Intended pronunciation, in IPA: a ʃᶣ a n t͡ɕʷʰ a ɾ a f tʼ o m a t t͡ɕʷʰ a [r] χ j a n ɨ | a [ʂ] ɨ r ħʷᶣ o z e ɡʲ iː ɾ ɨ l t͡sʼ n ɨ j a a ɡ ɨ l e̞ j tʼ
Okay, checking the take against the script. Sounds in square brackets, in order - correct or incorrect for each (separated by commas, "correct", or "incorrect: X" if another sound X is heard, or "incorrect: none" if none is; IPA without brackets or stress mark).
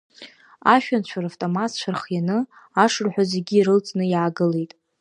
correct, correct